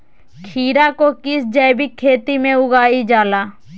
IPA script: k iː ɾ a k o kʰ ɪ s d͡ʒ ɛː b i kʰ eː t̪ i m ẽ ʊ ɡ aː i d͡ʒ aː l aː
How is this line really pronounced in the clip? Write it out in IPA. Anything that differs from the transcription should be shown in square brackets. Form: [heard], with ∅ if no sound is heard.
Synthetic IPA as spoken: [kʰ] iː ɾ a k o [k] ɪ s d͡ʒ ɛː b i kʰ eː t̪ i m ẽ ʊ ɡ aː i d͡ʒ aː l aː